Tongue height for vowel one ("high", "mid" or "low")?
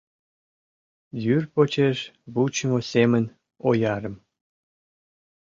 high